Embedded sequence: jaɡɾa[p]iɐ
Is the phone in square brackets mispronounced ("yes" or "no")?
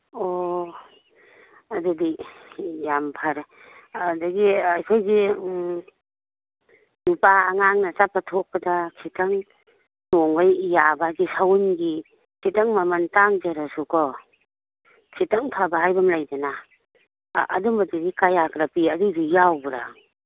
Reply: no